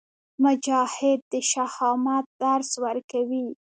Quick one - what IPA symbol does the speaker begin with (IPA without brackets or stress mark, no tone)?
m